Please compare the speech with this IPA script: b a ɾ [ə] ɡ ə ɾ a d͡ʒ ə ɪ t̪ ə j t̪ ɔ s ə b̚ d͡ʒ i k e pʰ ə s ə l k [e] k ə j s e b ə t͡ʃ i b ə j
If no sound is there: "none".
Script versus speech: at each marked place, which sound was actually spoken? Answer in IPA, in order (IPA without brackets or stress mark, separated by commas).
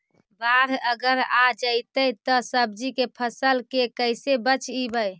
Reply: ə, e